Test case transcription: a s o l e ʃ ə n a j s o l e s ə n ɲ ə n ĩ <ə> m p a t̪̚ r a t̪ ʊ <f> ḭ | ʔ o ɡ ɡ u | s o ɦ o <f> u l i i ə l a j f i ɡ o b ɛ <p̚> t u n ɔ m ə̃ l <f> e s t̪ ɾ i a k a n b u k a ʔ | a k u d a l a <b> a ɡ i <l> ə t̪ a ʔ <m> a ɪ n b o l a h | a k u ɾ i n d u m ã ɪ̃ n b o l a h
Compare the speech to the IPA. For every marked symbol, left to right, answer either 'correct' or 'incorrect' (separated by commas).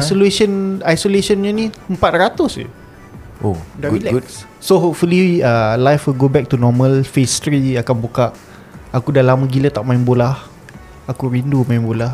correct, incorrect, correct, incorrect, correct, incorrect, correct, correct